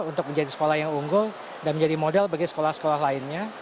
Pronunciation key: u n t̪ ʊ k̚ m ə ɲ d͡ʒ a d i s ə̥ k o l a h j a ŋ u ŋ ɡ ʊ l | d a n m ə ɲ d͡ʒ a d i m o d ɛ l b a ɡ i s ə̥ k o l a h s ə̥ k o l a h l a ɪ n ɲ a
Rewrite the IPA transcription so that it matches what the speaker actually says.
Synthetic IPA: u n t̪ ʊ k̚ m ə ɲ d͡ʒ a d i s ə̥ k o l a h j a ŋ u ŋ ɡ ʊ l | d a n m ə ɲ d͡ʒ a d i m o d ɛ l b a ɡ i s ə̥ k o l a h s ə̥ k o l a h l a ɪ n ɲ a